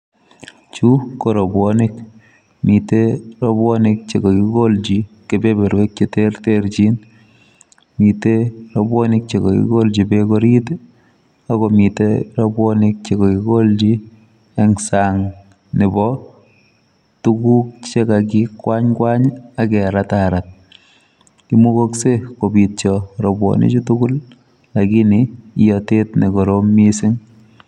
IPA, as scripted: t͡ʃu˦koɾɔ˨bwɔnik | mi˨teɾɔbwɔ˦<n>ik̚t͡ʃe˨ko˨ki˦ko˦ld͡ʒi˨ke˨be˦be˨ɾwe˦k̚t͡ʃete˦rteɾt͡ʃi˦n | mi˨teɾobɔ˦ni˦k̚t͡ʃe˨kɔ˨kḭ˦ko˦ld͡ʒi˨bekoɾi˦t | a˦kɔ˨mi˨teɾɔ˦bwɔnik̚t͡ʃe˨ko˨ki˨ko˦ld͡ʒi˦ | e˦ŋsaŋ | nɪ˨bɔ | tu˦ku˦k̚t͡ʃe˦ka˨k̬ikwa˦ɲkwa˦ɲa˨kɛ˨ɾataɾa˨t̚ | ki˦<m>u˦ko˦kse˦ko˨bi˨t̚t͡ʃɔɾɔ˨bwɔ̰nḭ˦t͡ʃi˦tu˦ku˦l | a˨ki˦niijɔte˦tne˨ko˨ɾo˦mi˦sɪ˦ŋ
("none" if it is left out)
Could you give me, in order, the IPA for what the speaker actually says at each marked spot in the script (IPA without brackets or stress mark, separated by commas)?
n, m